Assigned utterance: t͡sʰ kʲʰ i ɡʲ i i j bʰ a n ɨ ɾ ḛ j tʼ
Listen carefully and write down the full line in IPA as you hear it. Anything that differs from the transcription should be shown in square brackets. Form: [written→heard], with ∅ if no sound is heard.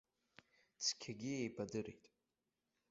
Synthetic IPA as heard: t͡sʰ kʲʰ [i→a] ɡʲ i [i→e] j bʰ a [n→d] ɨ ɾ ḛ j tʼ